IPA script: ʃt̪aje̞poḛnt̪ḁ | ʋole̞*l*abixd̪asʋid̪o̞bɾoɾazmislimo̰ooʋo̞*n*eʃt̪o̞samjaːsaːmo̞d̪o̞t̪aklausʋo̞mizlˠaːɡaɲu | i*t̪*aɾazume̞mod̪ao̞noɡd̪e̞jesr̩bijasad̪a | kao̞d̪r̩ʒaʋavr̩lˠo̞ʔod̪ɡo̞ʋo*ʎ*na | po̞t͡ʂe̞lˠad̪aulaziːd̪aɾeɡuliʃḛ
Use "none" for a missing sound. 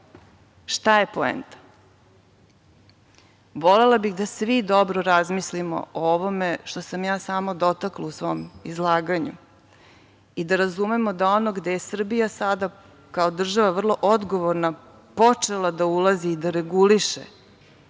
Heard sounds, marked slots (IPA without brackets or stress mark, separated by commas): l, m, d̪, ɾ